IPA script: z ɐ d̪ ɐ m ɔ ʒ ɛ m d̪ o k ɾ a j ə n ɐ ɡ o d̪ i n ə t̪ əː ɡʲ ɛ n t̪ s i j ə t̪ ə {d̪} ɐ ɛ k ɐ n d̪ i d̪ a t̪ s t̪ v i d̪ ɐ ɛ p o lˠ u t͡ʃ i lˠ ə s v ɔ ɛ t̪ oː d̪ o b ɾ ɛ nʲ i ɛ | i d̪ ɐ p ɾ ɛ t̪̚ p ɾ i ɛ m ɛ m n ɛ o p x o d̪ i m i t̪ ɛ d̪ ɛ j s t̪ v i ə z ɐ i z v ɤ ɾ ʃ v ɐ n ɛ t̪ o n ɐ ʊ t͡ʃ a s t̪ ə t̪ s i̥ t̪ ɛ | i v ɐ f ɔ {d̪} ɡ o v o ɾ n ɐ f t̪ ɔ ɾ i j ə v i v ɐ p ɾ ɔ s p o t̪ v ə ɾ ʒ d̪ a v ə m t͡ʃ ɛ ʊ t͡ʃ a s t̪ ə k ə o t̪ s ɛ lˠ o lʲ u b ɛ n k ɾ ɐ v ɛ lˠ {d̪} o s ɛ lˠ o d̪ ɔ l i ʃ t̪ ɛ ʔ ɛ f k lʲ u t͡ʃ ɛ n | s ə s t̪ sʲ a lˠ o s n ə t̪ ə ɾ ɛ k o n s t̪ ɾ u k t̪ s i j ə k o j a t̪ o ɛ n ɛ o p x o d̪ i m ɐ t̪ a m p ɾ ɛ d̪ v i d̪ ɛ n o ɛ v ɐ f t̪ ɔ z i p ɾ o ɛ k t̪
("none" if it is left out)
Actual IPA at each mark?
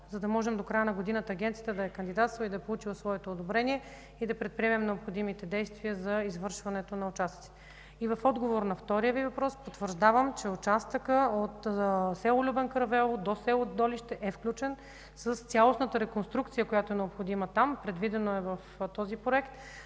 d̪, d̪, d̪

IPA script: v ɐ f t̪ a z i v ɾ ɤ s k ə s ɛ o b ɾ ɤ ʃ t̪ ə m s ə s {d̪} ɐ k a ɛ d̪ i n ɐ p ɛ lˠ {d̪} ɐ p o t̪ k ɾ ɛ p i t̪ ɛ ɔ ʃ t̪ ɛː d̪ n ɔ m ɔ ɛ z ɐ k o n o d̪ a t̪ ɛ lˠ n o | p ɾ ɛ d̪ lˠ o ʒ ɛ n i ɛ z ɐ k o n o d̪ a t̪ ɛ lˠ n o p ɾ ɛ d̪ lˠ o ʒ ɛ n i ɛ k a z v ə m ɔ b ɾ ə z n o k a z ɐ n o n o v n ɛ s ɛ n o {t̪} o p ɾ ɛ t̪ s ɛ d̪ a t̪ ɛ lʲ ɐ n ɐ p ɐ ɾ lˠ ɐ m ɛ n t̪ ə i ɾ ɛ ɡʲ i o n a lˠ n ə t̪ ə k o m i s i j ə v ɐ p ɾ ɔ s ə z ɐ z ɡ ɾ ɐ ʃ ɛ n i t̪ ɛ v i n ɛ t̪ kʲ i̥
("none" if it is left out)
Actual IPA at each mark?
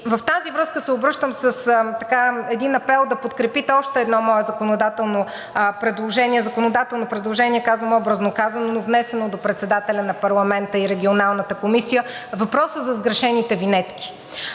t̪, d̪, d̪

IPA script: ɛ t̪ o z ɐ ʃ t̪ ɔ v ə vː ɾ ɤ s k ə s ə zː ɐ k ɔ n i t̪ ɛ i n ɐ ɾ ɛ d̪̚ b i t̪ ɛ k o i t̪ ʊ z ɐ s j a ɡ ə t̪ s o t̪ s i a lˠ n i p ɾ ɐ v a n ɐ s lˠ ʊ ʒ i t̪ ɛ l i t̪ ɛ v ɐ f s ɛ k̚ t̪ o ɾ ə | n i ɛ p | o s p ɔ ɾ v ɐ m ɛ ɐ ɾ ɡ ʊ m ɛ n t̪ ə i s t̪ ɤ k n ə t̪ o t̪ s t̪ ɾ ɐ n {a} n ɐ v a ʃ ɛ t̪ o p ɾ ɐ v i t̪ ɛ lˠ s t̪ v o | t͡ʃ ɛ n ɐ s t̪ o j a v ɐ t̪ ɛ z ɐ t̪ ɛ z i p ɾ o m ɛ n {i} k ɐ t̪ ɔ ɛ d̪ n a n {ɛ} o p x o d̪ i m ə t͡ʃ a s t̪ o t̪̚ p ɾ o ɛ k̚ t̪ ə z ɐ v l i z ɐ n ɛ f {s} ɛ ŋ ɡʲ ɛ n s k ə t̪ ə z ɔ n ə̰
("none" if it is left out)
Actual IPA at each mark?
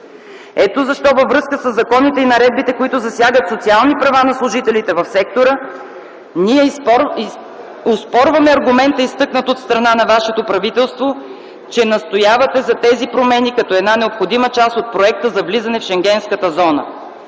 a, i, ɛ, ʃ

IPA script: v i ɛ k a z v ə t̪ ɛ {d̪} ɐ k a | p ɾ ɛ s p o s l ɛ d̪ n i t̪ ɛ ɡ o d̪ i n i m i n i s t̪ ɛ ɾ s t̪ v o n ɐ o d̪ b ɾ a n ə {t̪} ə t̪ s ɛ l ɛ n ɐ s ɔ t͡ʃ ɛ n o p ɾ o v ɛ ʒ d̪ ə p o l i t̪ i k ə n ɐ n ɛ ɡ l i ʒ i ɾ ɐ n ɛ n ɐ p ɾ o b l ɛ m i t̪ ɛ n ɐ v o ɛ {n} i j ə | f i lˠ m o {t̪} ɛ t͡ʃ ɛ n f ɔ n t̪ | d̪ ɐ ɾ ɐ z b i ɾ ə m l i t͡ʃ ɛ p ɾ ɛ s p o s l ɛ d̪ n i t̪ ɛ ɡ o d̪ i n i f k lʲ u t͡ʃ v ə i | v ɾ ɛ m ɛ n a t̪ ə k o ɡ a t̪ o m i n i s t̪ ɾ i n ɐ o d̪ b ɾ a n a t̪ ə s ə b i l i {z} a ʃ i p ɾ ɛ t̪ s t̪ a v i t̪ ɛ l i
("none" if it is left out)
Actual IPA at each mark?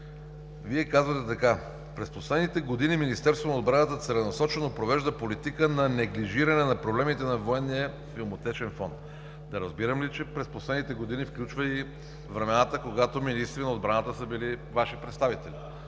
t̪, t̪, nː, t̪, v

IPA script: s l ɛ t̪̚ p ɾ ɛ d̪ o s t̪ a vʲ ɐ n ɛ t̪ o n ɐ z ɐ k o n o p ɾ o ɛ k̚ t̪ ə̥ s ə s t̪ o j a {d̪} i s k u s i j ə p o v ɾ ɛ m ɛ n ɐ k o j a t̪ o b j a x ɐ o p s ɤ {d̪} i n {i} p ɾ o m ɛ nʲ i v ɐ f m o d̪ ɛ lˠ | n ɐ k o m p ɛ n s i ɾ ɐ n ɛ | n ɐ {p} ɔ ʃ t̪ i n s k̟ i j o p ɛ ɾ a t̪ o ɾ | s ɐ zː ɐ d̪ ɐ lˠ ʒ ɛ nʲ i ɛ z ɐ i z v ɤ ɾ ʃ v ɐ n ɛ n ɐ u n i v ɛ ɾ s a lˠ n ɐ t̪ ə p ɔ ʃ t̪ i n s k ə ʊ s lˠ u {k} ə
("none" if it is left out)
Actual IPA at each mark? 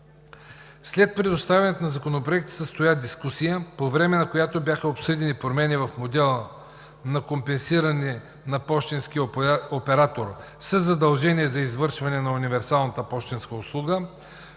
d̪, d̪, i, p, ɡ

